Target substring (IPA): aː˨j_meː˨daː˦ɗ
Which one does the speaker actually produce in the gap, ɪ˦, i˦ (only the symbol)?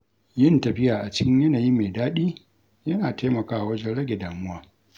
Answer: i˦